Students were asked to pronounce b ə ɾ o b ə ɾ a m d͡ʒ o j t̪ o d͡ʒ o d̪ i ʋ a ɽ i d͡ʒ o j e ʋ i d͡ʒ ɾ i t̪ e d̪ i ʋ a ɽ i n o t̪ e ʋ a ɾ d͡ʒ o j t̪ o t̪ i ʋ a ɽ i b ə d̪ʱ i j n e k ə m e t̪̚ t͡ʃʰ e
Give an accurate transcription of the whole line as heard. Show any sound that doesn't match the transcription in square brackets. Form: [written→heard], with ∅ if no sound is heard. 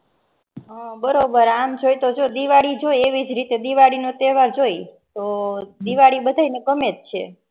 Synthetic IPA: b ə ɾ o b ə ɾ a m d͡ʒ o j t̪ o d͡ʒ o d̪ i ʋ a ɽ i d͡ʒ o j e ʋ i d͡ʒ ɾ i t̪ e d̪ i ʋ a ɽ i n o t̪ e ʋ a ɾ d͡ʒ o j t̪ o [t̪→d̪] i ʋ a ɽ i b ə d̪ʱ [i→a] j n e k ə m e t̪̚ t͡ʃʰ e